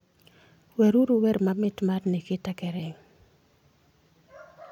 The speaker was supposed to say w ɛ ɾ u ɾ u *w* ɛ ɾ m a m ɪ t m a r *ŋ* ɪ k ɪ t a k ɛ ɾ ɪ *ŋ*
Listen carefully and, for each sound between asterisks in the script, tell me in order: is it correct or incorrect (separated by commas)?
correct, incorrect, correct